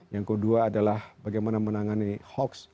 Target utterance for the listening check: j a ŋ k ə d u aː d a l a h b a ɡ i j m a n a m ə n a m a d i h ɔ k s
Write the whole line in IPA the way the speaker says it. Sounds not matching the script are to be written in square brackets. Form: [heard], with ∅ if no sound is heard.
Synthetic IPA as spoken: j a ŋ k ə d u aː d a l a h b a ɡ [a] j m a n a m ə n a [ŋ] a [n] i h ɔ k s

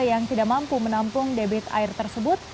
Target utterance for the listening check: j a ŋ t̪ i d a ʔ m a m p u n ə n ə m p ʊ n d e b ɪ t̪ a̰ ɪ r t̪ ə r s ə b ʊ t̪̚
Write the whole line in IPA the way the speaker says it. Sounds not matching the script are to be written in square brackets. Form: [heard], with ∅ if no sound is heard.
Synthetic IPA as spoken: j a ŋ t̪ i d a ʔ m a m p u [m] ə n [a] m p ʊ [ŋ] d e b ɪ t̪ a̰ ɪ r t̪ ə r s ə b ʊ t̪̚

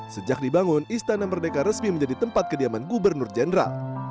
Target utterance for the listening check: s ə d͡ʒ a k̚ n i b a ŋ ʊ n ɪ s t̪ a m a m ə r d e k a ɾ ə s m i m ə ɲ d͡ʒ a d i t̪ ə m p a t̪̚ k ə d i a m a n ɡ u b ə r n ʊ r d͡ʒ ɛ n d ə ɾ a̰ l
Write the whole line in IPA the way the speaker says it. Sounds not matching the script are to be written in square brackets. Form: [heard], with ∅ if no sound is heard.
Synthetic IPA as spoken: s ə d͡ʒ a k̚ [d] i b a ŋ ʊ n [i] s t̪ a [n] a m ə r d e k a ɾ ə s m i m ə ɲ d͡ʒ a d i t̪ ə m p a t̪̚ k ə d i a m a n ɡ u b ə r n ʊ r d͡ʒ ɛ n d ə ɾ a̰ l

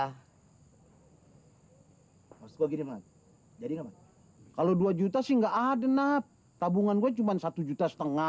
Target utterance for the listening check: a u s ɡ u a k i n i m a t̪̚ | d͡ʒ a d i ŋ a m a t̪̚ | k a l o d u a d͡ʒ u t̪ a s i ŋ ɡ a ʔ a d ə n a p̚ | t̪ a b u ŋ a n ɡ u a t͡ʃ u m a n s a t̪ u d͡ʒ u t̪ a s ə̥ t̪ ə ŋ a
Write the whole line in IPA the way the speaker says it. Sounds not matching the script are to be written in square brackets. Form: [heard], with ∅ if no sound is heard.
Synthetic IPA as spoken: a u s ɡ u a [ɡ] i n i m a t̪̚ | d͡ʒ a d i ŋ a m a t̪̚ | k a l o d u a d͡ʒ u t̪ a s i ŋ ɡ a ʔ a d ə n a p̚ | t̪ a b u ŋ a n ɡ u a t͡ʃ u m a n s a t̪ u d͡ʒ u t̪ a s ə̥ t̪ ə ŋ a

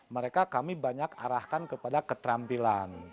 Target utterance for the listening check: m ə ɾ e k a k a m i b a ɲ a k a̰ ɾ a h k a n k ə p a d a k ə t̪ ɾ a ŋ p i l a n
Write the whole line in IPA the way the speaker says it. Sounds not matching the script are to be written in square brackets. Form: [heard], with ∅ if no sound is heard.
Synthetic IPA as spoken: m ə ɾ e k a k a m i b a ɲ a k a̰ ɾ a h k a n k ə p a d a k ə t̪ ɾ a [m] p i l a n

